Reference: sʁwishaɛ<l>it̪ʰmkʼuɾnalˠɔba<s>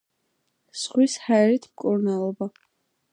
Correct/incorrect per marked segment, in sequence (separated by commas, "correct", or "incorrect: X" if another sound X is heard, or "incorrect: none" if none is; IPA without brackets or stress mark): incorrect: ɾ, incorrect: none